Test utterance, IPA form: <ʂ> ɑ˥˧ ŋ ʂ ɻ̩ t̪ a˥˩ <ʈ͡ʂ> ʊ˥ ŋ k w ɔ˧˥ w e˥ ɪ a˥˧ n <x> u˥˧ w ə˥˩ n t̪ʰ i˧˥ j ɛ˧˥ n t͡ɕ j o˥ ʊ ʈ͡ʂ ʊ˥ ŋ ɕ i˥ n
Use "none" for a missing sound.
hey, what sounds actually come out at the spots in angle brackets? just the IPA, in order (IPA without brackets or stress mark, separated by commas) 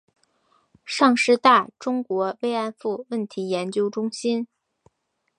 ʂ, ʈ͡ʂ, f